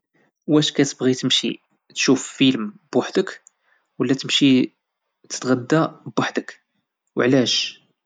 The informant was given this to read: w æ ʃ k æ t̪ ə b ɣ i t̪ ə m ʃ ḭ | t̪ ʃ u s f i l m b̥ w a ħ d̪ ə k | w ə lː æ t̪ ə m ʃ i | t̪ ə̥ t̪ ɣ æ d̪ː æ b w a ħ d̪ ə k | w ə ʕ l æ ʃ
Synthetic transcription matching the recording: w æ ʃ k æ t̪ ə b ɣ i t̪ ə m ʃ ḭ | t̪ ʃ u f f i l m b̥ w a ħ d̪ ə k | w ə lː æ t̪ ə m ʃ i | t̪ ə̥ t̪ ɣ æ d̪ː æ b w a ħ d̪ ə k | w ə ʕ l æ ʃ